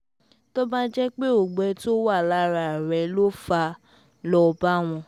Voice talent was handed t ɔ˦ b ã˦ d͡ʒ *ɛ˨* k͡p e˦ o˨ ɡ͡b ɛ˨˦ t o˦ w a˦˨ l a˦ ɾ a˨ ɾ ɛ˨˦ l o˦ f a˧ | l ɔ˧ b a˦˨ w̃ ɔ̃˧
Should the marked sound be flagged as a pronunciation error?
yes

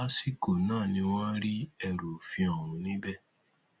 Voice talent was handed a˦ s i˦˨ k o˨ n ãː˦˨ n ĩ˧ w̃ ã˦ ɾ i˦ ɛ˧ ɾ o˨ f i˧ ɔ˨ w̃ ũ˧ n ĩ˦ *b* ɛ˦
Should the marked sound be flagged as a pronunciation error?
no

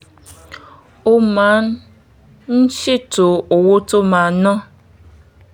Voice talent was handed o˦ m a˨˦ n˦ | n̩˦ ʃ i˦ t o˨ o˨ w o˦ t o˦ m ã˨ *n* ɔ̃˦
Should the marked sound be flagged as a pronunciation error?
no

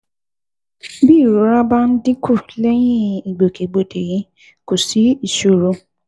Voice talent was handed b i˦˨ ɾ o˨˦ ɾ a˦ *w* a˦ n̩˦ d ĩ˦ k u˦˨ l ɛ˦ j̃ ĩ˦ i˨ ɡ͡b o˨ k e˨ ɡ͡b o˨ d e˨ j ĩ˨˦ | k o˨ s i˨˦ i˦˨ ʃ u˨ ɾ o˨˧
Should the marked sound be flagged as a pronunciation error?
yes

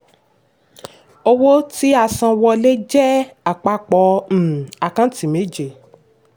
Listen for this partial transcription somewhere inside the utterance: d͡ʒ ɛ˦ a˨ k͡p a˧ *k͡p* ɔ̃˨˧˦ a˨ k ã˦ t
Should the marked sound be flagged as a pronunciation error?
no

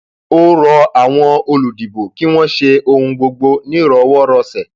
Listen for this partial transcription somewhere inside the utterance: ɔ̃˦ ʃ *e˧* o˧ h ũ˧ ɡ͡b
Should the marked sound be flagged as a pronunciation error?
no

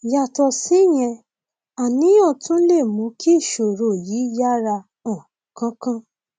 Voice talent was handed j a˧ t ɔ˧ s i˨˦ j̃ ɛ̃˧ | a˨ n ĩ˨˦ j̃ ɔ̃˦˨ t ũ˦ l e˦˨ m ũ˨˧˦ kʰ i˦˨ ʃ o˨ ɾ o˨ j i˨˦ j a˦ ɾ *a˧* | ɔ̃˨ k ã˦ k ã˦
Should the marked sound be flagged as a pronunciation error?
no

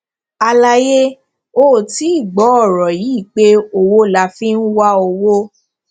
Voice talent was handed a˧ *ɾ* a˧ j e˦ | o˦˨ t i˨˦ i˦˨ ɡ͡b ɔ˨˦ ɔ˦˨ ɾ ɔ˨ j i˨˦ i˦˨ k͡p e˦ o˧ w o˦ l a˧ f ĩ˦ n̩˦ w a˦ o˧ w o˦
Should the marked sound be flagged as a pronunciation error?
yes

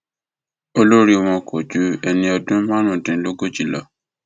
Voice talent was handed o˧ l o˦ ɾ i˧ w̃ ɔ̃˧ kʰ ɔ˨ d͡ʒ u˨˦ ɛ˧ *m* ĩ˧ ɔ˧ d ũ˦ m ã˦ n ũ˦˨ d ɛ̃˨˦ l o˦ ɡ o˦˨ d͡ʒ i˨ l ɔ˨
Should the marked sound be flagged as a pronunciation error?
yes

